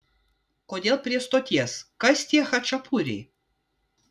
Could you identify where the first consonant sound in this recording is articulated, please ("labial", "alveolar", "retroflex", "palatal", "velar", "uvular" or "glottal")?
velar